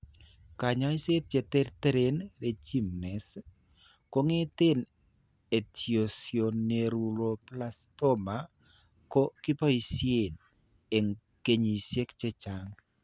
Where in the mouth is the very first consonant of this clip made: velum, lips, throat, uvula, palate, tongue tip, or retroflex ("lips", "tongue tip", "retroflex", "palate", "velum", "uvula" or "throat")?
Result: velum